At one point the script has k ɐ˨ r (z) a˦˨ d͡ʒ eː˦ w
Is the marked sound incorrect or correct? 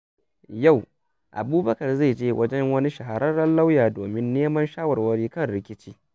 correct